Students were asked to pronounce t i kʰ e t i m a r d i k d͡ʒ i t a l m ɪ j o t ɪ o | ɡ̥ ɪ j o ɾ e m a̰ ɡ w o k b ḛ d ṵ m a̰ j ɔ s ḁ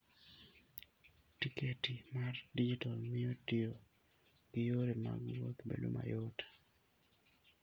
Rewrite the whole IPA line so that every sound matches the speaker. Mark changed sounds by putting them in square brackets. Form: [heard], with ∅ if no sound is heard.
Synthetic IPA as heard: t i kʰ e t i m a r d i [∅] d͡ʒ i t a l m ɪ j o t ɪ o | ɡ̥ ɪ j o ɾ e m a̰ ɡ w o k b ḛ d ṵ m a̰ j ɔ [t] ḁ